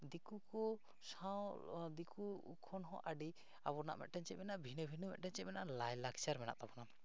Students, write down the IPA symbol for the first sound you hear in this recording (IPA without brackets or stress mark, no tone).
d̪